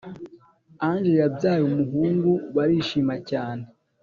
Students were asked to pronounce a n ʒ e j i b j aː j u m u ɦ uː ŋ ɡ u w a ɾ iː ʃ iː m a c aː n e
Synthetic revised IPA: a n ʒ e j a b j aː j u m u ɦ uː ŋ ɡ u β a ɾ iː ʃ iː m a c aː n e